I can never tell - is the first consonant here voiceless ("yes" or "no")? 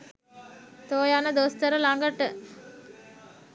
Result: yes